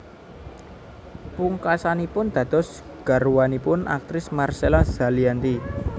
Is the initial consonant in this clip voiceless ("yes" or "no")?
yes